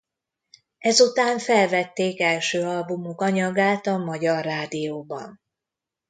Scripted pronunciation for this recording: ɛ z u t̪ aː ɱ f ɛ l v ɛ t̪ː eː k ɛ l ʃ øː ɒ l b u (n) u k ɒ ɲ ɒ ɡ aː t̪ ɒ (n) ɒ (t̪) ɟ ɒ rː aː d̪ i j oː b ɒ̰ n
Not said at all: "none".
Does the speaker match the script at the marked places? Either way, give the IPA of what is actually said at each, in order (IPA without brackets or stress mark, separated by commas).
m, m, none